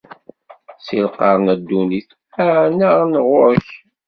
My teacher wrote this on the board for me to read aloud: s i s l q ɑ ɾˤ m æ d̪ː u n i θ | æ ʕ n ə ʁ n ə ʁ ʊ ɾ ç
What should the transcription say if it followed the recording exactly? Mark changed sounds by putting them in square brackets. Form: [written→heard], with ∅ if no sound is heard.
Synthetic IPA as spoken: s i [s→∅] l q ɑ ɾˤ [m→n] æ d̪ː u n i θ | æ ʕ n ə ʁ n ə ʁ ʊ ɾ ç

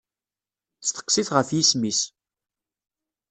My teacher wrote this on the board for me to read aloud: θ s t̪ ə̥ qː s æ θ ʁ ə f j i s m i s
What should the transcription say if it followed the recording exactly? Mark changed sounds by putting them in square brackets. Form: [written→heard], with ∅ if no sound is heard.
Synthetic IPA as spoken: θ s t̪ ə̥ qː s [æ→i] θ ʁ ə f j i s m i s

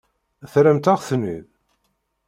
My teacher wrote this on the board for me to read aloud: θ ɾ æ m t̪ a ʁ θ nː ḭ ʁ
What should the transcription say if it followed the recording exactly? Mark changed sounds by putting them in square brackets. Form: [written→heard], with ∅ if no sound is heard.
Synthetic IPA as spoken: θ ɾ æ m t̪ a ʁ θ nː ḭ [ʁ→ð]

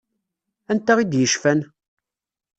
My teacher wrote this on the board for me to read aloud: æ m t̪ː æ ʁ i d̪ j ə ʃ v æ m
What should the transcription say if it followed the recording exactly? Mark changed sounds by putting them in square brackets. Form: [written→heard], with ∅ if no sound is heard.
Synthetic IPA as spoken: æ [m→n] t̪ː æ ʁ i d̪ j ə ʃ [v→f] æ [m→n]

